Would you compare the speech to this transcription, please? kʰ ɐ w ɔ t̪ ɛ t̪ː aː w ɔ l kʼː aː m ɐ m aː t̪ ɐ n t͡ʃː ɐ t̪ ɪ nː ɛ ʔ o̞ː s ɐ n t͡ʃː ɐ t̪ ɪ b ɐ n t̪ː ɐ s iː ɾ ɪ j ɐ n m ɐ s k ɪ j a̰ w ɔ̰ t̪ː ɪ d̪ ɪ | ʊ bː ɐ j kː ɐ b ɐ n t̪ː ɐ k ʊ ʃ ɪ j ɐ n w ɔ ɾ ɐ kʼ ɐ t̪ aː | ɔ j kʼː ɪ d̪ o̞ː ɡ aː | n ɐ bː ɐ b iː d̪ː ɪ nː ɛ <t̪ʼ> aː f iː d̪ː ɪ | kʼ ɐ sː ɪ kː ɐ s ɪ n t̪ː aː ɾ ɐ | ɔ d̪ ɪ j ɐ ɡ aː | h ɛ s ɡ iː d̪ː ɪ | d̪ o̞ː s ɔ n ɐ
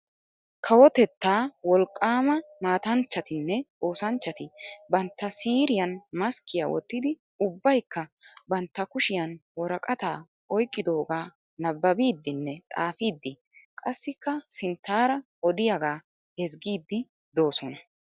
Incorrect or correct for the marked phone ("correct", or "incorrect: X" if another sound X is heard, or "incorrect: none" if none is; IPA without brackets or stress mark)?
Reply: correct